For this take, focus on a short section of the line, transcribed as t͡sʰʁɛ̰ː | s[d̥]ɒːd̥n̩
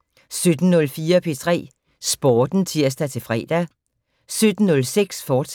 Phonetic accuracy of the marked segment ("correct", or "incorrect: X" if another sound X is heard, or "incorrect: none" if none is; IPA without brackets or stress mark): incorrect: b̥